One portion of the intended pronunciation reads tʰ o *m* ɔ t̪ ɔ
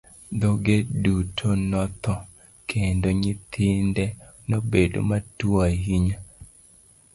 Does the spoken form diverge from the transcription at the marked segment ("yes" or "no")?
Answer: yes